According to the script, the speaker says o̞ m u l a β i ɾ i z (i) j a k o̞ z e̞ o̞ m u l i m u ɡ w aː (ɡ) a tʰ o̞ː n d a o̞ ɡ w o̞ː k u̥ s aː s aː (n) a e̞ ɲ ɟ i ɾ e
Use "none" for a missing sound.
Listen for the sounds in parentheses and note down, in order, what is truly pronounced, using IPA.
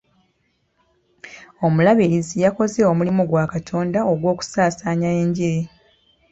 i, k, ɲ

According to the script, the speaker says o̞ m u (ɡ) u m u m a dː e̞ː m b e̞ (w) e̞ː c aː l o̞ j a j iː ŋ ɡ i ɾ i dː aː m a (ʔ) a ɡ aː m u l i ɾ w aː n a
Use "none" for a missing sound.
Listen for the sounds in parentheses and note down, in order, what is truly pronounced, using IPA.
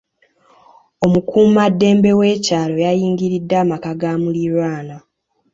k, w, k

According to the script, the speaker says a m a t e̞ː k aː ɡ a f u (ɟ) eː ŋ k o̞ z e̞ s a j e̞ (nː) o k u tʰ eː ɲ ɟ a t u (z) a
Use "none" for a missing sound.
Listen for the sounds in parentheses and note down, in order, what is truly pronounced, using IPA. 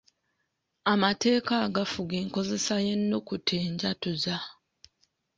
ɡ, nː, z

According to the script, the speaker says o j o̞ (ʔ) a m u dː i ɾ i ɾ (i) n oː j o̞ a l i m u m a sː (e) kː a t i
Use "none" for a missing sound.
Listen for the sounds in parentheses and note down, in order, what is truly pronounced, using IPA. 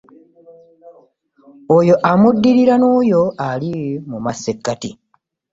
ʔ, a, e

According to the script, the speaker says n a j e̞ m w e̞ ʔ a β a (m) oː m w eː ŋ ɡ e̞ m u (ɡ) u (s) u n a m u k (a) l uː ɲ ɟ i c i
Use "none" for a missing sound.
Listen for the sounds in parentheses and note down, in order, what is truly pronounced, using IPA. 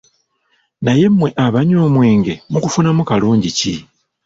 ɲ, k, f, a

